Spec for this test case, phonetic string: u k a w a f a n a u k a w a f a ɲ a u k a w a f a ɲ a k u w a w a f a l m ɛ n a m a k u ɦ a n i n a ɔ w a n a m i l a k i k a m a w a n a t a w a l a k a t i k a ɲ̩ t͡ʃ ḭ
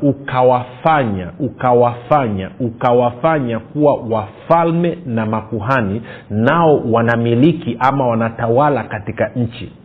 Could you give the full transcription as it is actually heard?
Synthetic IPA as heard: u k a w a f a ɲ a u k a w a f a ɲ a u k a w a f a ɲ a k u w a w a f a l m ɛ n a m a k u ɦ a n i n a ɔ w a n a m i l i k i ʔ a m a w a n a t a w a l a k a t i k a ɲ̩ t͡ʃ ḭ